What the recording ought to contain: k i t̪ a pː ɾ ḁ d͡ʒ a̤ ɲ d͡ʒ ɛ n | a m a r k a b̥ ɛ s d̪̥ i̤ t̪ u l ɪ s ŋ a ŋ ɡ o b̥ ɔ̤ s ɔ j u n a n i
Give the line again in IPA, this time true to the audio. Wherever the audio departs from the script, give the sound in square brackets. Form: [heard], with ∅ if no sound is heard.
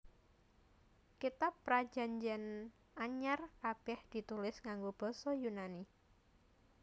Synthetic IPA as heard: k i t̪ a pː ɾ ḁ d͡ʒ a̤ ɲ d͡ʒ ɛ n | a [ɲ] a r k a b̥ ɛ [h] d̪̥ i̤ t̪ u l ɪ s ŋ a ŋ ɡ o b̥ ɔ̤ s ɔ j u n a n i